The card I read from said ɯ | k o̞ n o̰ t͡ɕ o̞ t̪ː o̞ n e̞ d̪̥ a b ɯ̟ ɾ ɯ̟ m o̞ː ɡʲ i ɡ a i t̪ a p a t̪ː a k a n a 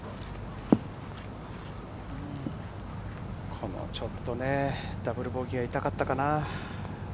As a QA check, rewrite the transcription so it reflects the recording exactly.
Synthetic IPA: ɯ | kʰ o̞ n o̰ t͡ɕ o̞ t̪ː o̞ n e̞ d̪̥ a b ɯ̟ ɾ ɯ̟ b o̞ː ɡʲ i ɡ a i t̪ a k a t̪ː a k a n a